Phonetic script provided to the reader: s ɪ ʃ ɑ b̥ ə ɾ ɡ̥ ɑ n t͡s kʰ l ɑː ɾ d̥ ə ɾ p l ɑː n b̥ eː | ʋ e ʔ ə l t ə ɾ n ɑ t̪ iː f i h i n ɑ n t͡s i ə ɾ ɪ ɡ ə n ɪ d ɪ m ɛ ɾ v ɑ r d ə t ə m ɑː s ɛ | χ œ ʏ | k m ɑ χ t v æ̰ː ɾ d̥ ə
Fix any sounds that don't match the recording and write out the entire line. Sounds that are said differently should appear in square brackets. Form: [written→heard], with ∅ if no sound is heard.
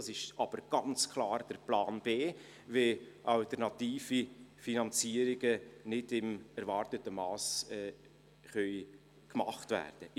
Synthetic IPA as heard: s ɪ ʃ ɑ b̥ ə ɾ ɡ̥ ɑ n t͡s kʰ l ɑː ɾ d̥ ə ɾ p l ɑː n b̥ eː | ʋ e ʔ [ə→ɑ] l t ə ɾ n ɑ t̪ iː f i [h→f] i n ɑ n t͡s i ə ɾ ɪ ɡ ə n ɪ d ɪ m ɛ ɾ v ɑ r [d→t] ə t ə m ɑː s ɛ | χ œ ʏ | k m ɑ χ t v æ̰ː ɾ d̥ ə